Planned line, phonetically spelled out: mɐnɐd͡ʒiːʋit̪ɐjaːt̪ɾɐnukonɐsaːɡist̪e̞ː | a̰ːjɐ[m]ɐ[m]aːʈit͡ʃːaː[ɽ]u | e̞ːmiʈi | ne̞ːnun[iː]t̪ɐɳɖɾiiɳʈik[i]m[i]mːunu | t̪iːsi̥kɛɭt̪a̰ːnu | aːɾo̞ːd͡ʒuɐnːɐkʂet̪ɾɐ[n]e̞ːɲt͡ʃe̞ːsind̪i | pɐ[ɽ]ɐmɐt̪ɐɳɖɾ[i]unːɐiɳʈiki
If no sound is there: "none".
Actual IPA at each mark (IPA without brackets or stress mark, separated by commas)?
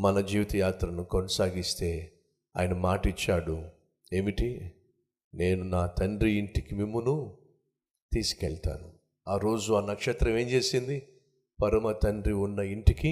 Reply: n, m, ɽ, aː, i, i, m, ɾ, i